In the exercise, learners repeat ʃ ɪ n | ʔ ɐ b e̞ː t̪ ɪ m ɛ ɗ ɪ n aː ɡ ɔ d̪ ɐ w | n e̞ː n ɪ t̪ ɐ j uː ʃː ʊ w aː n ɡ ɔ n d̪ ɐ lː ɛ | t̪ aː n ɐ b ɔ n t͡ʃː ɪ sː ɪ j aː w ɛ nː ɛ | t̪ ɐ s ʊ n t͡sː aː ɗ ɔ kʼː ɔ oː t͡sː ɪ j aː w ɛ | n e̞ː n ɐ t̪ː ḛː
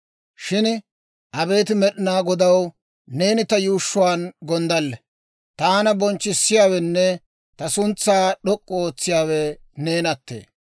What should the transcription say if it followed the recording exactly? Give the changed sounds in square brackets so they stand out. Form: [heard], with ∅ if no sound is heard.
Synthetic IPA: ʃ ɪ n | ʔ ɐ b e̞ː t̪ ɪ m ɛ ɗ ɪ n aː ɡ ɔ d̪ ɐ w | n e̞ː n ɪ t̪ ɐ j uː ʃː ʊ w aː n ɡ ɔ n d̪ ɐ lː ɛ | t̪ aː n ɐ b ɔ n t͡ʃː ɪ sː ɪ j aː w ɛ nː ɛ | t̪ ɐ s ʊ n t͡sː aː ɗ ɔ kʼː ɔ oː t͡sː ɪ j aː w ɛ | n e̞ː n ɐ t̪ː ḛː